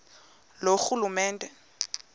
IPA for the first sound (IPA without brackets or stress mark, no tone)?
l